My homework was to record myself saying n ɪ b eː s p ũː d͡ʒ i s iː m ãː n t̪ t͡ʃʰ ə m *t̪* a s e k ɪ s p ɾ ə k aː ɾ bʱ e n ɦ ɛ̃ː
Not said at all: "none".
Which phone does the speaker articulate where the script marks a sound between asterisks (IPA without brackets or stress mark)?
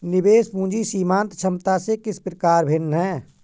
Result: t̪